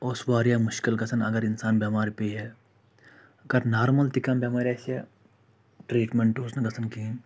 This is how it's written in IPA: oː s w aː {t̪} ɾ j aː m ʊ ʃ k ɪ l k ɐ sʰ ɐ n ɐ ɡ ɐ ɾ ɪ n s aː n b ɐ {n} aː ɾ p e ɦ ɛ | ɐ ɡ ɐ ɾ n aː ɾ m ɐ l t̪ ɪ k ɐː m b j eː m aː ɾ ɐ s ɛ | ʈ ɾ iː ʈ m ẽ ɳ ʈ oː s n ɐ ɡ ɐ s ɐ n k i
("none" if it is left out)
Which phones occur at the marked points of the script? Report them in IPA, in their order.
none, m

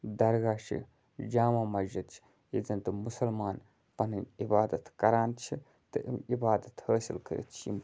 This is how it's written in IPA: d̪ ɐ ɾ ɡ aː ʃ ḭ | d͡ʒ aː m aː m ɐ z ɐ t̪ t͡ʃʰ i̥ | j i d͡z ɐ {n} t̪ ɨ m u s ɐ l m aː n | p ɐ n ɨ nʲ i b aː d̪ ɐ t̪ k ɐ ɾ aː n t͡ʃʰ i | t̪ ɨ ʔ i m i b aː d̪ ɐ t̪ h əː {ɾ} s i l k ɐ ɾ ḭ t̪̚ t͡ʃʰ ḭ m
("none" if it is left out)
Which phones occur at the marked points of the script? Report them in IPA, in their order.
n, none

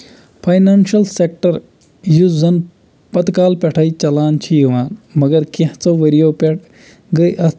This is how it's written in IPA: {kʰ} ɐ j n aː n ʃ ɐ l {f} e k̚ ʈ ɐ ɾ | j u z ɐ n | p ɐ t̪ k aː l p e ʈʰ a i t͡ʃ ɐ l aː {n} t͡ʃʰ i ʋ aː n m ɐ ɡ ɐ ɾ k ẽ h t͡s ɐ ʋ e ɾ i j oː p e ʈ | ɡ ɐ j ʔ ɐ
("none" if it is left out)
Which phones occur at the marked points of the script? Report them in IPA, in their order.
pʰ, s, n

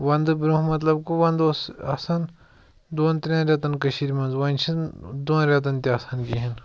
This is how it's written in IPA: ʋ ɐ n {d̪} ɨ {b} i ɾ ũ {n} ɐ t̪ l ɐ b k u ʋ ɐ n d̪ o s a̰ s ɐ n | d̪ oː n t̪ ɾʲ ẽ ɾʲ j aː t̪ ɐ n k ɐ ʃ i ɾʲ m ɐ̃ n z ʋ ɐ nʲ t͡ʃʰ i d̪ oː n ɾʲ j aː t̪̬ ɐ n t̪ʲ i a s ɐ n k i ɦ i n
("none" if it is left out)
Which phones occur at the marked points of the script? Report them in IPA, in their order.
d̪, b, m

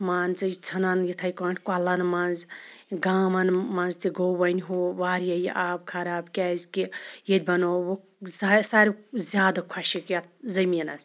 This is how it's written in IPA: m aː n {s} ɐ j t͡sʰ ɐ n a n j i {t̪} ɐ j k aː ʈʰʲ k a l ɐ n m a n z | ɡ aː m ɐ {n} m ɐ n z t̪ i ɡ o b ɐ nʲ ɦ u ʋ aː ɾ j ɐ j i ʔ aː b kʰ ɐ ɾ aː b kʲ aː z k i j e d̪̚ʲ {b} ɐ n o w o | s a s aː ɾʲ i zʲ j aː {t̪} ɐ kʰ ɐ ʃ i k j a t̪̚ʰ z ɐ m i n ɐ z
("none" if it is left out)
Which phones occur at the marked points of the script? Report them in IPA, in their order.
t͡s, t̪ʰ, n, b, d̪

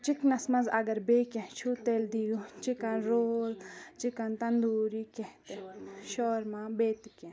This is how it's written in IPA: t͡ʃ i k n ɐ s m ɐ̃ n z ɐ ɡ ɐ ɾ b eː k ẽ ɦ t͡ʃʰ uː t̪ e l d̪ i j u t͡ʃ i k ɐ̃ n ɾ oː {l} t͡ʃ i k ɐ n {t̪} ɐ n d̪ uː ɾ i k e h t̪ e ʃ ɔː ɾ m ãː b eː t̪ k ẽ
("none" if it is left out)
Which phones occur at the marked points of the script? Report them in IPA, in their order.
l, t̪

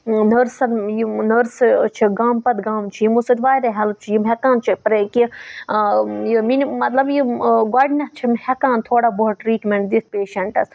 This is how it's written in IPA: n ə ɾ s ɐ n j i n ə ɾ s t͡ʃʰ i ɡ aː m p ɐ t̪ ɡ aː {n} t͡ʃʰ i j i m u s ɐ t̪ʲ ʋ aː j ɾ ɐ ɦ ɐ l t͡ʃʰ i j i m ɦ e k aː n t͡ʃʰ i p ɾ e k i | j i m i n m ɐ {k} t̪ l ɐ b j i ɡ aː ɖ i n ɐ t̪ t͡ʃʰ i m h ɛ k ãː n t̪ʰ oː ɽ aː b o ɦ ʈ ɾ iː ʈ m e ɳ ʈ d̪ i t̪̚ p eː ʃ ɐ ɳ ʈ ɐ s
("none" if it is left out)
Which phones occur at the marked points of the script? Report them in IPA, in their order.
m, none

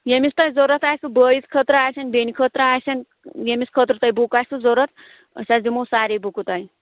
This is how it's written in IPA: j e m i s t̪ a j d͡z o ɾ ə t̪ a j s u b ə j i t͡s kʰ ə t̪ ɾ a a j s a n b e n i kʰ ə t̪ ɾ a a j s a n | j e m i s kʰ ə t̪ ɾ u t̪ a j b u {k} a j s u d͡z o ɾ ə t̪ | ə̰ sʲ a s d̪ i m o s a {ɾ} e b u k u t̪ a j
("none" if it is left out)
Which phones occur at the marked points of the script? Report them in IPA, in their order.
k, ɾ

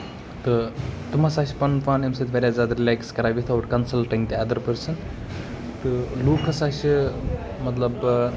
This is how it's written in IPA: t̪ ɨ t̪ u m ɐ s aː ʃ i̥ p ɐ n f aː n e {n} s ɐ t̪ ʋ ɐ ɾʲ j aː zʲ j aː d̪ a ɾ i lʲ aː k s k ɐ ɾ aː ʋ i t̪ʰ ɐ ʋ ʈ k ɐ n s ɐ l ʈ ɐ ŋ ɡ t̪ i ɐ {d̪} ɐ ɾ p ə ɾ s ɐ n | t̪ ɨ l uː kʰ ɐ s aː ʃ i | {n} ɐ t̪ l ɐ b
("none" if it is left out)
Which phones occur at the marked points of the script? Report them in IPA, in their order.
m, d̪, m

